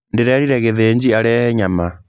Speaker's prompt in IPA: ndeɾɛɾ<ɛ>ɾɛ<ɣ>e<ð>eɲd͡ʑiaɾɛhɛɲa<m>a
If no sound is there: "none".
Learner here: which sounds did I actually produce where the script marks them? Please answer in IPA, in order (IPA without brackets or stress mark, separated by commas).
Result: i, ɣ, ð, m